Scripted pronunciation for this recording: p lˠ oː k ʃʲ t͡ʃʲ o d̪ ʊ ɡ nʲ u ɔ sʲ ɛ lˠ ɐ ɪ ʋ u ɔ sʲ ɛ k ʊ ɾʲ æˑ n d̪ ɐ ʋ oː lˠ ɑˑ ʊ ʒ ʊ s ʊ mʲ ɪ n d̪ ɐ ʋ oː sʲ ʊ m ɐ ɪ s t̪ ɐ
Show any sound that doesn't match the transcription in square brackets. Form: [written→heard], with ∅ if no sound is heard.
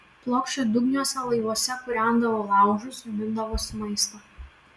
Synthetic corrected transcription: p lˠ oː k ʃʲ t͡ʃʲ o d̪ ʊ ɡ nʲ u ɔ sʲ ɛ lˠ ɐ ɪ ʋ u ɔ sʲ ɛ k ʊ ɾʲ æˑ n d̪ ɐ ʋ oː lˠ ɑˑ ʊ ʒ ʊ s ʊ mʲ ɪ n d̪ ɐ ʋ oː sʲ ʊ m ɐ ɪ s t̪ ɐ